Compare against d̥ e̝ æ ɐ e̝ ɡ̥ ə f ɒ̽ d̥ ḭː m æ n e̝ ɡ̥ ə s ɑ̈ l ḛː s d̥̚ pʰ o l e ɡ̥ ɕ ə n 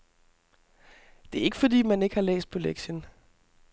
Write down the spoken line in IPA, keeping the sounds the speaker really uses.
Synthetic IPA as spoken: d̥ e̝ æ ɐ e̝ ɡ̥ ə f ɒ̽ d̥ ḭː m æ n e̝ ɡ̥ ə h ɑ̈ l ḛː s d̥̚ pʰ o l e ɡ̥ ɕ ə n